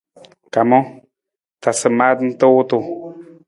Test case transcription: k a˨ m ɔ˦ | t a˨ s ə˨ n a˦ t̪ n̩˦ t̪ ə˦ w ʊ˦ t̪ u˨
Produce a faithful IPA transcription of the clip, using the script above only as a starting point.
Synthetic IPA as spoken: k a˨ m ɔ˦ | t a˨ s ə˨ m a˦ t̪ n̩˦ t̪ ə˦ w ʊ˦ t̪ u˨